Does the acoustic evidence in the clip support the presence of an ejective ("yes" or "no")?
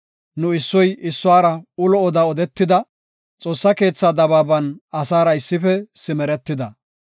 yes